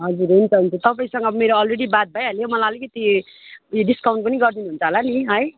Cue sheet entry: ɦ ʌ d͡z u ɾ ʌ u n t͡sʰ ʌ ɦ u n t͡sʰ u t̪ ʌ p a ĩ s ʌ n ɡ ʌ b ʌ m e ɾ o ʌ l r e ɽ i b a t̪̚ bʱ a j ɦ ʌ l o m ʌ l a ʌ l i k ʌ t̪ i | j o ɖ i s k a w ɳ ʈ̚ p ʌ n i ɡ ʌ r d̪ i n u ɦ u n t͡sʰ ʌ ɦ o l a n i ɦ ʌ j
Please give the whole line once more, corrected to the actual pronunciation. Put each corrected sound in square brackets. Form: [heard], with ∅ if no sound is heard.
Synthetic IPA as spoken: ɦ ʌ d͡z u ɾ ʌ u n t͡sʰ ʌ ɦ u n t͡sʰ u t̪ ʌ p a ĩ s ʌ [ŋ] ɡ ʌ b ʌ m e ɾ o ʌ l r e ɽ i b a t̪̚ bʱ a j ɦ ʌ l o m ʌ l a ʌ l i k ʌ t̪ i | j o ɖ i s k a w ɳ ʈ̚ p ʌ n i ɡ ʌ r d̪ i n u ɦ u n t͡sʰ ʌ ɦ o l a n i ɦ ʌ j